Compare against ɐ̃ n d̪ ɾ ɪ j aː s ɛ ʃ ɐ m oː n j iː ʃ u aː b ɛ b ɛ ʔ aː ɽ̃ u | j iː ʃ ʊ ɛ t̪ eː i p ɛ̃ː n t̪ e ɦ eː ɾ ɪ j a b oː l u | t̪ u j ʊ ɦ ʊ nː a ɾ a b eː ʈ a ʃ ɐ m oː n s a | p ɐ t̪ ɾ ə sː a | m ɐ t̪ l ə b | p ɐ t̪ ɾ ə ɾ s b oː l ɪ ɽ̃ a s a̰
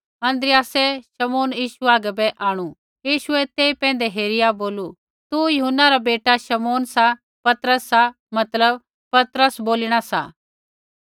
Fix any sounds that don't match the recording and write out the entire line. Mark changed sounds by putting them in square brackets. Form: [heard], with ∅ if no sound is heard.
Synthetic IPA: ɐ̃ n d̪ ɾ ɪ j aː s ɛ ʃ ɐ m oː n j iː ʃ u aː [ɡ] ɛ b ɛ ʔ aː ɽ̃ u | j iː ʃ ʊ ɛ t̪ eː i p ɛ̃ː n [d̪] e ɦ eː ɾ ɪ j a b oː l u | t̪ u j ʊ ɦ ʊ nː a ɾ a b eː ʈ a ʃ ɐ m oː n s a | p ɐ t̪ ɾ ə sː a | m ɐ t̪ l ə b | p ɐ t̪ ɾ ə [∅] s b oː l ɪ ɽ̃ a s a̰